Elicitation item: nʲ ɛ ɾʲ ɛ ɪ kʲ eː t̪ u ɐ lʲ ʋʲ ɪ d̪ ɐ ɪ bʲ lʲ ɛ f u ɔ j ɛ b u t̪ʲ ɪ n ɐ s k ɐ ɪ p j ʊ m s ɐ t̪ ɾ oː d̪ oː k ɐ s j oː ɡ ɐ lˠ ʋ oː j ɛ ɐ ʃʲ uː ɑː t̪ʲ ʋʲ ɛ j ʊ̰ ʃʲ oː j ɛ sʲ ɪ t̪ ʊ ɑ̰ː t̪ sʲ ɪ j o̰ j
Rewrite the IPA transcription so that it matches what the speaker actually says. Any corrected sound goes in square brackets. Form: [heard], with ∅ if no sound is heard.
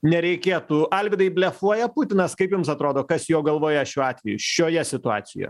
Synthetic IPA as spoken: nʲ ɛ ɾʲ ɛ ɪ kʲ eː t̪ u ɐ lʲ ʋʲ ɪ d̪ ɐ ɪ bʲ lʲ ɛ f u ɔ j ɛ [p] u t̪ʲ ɪ n ɐ s k ɐ ɪ p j ʊ m s ɐ t̪ ɾ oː d̪ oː k ɐ s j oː ɡ ɐ lˠ ʋ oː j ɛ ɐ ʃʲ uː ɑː t̪ʲ ʋʲ ɛ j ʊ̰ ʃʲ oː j ɛ sʲ ɪ t̪ ʊ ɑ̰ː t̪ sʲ ɪ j o̰ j

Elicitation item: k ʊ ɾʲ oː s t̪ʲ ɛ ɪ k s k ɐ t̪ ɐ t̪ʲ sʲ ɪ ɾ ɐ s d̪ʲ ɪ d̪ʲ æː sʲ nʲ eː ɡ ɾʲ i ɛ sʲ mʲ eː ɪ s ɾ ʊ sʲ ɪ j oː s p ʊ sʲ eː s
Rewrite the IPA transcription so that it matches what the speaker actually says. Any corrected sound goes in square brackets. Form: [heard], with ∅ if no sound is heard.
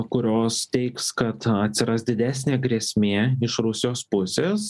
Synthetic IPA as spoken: k ʊ ɾʲ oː s t̪ʲ ɛ ɪ k s k ɐ t̪ ɐ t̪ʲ sʲ ɪ ɾ ɐ s d̪ʲ ɪ d̪ʲ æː sʲ nʲ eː ɡ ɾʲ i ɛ sʲ mʲ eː ɪ [ʃ] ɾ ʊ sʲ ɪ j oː s p ʊ sʲ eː s

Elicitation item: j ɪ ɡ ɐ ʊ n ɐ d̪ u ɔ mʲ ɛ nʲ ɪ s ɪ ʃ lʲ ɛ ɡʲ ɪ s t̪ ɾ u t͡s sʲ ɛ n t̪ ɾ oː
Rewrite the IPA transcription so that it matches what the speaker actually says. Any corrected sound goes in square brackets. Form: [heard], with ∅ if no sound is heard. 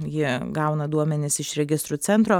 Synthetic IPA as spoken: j ɪ ɡ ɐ ʊ n ɐ d̪ u ɔ mʲ ɛ nʲ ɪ s ɪ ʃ [ɾʲ] ɛ ɡʲ ɪ s t̪ ɾ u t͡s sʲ ɛ n t̪ ɾ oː

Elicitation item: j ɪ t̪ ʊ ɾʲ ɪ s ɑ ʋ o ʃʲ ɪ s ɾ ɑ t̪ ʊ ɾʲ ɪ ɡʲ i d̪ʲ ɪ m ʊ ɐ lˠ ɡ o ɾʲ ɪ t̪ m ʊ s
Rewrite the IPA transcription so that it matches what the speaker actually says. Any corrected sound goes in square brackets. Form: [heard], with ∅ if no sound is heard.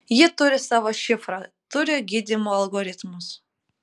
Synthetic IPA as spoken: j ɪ t̪ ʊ ɾʲ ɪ s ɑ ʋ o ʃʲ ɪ [f] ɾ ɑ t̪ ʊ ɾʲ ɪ ɡʲ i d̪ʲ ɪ m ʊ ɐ lˠ ɡ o ɾʲ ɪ t̪ m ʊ s

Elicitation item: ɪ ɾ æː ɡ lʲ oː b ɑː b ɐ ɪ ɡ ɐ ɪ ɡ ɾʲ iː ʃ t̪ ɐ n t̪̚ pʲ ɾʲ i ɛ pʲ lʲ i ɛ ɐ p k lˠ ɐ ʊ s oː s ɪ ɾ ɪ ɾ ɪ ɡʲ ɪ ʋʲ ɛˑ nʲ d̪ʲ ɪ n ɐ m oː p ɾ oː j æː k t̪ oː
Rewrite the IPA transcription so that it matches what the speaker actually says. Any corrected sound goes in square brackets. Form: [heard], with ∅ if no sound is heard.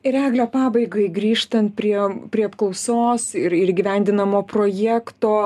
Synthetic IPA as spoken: ɪ ɾ æː ɡ lʲ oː [p] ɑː b ɐ ɪ ɡ ɐ ɪ ɡ ɾʲ iː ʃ t̪ ɐ n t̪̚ pʲ ɾʲ i ɛ pʲ [ɾʲ] i ɛ ɐ p k lˠ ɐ ʊ s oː s ɪ ɾ ɪ ɾ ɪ ɡʲ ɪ ʋʲ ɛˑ nʲ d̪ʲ ɪ n ɐ m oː p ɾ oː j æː k t̪ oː

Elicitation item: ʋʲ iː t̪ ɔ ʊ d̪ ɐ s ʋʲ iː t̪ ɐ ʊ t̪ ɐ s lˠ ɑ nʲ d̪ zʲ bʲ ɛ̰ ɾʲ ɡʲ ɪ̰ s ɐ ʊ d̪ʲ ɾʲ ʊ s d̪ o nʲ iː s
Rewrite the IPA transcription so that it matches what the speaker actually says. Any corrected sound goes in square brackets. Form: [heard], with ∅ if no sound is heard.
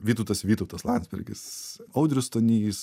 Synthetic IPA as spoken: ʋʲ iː t̪ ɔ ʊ [t̪] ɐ s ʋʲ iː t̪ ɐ ʊ t̪ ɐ s lˠ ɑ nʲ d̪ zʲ bʲ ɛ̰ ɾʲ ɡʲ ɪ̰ s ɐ ʊ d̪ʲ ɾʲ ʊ s [t̪] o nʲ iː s

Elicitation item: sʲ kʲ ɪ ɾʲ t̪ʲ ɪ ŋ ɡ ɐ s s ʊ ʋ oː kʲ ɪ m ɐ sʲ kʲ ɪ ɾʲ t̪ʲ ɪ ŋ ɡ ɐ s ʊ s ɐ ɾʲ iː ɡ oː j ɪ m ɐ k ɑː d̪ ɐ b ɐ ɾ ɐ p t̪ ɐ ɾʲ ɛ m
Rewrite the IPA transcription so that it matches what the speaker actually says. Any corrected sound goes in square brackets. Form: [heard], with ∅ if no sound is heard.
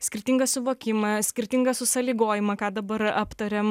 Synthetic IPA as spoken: sʲ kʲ ɪ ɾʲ t̪ʲ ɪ ŋ ɡ ɐ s s ʊ ʋ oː kʲ ɪ m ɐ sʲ kʲ ɪ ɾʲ t̪ʲ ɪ ŋ ɡ ɐ s ʊ s ɐ [lʲ] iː ɡ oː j ɪ m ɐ k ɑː d̪ ɐ b ɐ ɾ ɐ p t̪ ɐ ɾʲ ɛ m

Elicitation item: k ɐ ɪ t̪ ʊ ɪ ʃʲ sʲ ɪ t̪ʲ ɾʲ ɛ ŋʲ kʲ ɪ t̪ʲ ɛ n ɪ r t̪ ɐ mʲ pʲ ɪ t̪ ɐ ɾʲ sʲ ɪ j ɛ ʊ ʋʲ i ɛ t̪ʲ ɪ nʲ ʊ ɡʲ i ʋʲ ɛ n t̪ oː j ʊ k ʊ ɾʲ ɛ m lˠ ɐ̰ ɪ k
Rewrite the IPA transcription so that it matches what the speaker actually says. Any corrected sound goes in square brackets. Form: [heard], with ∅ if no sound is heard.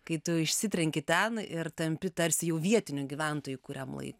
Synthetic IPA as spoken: k ɐ ɪ t̪ ʊ ɪ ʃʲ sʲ ɪ t̪ʲ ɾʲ ɛ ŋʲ kʲ ɪ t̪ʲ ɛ n ɪ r t̪ ɐ mʲ pʲ ɪ t̪ ɐ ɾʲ sʲ ɪ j ɛ ʊ ʋʲ i ɛ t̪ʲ ɪ nʲ ʊ ɡʲ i ʋʲ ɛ n t̪ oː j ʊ k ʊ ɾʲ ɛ m lˠ ɐ̰ ɪ k

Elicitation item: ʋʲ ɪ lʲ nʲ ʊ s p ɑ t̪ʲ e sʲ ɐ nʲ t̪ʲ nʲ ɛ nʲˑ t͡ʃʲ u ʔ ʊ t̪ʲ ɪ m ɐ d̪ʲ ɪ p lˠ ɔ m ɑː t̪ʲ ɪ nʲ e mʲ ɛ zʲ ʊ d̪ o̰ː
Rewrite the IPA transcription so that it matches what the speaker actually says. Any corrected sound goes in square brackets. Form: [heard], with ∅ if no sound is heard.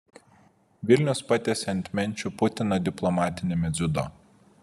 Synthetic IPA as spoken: ʋʲ ɪ lʲ nʲ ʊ s p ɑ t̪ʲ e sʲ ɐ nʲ t̪ʲ [mʲ] ɛ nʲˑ t͡ʃʲ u [p] ʊ t̪ʲ ɪ [n] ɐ d̪ʲ ɪ p lˠ ɔ m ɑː t̪ʲ ɪ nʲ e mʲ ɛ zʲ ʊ d̪ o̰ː

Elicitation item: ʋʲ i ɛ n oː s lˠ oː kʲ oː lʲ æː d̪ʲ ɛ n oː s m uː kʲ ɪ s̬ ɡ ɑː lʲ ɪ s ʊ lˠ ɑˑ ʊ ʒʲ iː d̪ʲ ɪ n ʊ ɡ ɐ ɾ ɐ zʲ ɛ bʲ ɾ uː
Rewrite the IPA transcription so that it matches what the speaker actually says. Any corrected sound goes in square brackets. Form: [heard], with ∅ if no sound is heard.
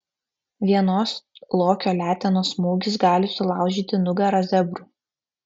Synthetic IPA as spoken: ʋʲ i ɛ n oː s lˠ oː kʲ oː lʲ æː [t̪ʲ] ɛ n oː s m uː [ɡʲ] ɪ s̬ ɡ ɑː lʲ ɪ s ʊ lˠ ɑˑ ʊ ʒʲ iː [t̪ʲ] ɪ n ʊ ɡ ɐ ɾ ɐ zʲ ɛ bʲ ɾ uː

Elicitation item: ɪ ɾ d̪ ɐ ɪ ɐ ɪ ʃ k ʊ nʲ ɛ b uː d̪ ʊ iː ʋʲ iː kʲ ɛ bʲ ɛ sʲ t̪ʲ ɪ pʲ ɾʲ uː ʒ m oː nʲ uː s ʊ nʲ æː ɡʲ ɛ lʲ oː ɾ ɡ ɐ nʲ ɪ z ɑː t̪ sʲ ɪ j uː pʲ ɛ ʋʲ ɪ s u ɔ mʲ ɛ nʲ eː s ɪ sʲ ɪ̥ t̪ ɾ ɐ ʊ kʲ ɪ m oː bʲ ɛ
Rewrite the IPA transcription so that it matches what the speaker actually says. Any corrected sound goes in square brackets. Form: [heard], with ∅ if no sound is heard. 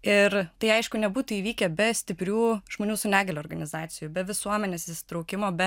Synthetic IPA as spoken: ɪ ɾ [t̪] ɐ ɪ ɐ ɪ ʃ k ʊ nʲ ɛ b uː [t̪] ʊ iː ʋʲ iː kʲ ɛ bʲ ɛ sʲ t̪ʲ ɪ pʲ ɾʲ uː ʒ m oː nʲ uː s ʊ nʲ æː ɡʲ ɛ lʲ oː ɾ ɡ ɐ nʲ ɪ z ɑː t̪ sʲ ɪ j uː [bʲ] ɛ ʋʲ ɪ s u ɔ mʲ ɛ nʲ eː s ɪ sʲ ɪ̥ t̪ ɾ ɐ ʊ kʲ ɪ m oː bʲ ɛ

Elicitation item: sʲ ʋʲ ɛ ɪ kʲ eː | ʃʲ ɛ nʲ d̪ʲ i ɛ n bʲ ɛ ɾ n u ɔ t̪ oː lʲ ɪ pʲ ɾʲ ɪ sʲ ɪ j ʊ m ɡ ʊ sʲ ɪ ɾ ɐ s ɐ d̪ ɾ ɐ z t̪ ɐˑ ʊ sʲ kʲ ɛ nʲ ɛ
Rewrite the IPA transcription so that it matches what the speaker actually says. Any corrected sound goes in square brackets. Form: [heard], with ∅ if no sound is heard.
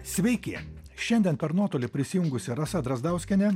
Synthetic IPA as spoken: sʲ ʋʲ ɛ ɪ kʲ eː | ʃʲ ɛ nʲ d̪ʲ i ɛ n [pʲ] ɛ ɾ n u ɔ t̪ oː lʲ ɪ pʲ ɾʲ ɪ sʲ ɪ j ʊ [ŋ] ɡ ʊ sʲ ɪ ɾ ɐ s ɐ d̪ ɾ ɐ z [d̪] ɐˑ ʊ sʲ kʲ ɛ nʲ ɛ

